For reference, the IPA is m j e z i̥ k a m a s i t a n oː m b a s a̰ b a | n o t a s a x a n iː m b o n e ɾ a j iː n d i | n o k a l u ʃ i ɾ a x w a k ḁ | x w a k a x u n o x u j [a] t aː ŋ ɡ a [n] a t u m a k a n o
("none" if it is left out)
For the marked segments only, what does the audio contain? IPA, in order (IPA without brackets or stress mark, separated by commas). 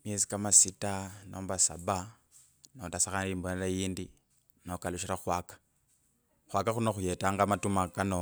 e, m